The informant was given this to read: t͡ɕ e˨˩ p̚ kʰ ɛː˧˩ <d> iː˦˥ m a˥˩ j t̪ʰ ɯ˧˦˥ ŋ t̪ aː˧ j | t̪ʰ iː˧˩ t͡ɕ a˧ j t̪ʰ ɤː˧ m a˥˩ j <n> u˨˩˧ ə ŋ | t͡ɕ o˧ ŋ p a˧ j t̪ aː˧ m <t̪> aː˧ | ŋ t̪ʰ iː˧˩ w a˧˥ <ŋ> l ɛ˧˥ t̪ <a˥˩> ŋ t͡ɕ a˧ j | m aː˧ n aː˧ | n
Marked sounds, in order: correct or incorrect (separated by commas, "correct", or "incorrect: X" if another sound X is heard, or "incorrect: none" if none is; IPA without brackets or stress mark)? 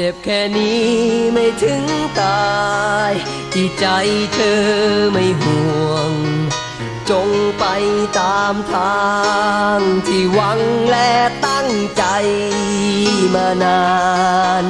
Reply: incorrect: n, incorrect: m, incorrect: t̪ʰ, correct, correct